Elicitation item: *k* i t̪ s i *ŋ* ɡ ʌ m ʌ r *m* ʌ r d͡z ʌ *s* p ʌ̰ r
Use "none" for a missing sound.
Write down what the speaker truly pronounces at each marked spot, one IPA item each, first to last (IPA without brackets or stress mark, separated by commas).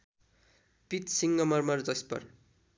p, ŋ, m, s